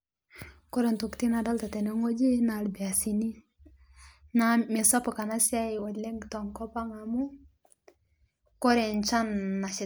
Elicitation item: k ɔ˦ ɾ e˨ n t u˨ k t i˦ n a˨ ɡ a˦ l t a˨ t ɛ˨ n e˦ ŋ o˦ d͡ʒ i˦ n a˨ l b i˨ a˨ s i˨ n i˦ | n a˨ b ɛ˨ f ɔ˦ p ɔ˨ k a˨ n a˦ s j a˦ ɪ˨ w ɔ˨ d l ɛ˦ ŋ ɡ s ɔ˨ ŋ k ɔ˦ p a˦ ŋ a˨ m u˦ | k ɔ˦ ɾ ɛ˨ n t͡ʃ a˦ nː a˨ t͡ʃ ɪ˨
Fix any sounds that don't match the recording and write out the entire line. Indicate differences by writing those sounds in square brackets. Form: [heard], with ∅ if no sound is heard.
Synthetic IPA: k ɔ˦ ɾ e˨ n t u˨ k t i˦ n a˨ [d] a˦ l t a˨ t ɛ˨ n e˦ ŋ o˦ d͡ʒ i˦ n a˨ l b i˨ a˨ s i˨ n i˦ | n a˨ [m] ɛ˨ [s] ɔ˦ p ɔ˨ k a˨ n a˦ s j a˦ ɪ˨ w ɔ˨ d l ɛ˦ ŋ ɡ [t] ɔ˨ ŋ k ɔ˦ p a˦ ŋ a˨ m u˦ | k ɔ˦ ɾ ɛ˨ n t͡ʃ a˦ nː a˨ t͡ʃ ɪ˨